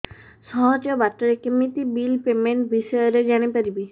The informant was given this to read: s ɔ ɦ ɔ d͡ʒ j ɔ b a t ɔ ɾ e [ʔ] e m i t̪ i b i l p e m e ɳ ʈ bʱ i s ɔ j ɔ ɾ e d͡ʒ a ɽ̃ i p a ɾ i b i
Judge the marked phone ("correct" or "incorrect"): incorrect